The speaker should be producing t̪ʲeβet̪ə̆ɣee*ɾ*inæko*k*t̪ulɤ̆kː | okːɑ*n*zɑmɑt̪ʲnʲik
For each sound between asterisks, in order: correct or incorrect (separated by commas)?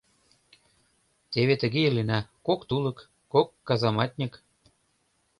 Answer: incorrect, correct, incorrect